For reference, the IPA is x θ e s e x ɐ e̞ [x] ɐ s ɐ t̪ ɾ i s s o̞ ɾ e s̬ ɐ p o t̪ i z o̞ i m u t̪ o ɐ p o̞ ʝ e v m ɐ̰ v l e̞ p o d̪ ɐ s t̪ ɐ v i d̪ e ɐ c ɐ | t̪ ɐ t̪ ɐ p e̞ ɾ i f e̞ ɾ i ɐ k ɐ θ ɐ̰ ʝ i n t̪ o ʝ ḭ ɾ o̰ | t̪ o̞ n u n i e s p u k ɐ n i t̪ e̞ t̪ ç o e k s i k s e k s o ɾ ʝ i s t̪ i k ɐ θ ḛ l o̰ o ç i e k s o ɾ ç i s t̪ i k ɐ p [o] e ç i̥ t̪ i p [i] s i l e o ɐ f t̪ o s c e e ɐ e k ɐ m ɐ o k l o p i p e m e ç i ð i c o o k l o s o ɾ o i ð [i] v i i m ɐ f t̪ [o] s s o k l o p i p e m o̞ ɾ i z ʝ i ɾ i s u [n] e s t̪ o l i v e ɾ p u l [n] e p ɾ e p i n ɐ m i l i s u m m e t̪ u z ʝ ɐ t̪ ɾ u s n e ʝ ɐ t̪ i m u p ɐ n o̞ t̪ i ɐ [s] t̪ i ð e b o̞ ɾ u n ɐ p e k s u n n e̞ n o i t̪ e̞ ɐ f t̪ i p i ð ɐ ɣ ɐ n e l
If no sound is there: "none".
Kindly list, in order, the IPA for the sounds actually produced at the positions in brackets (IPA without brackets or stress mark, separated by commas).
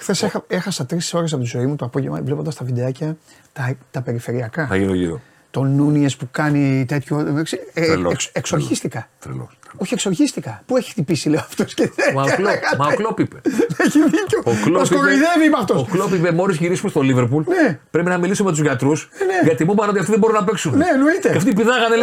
x, u, i, e, o, m, n, f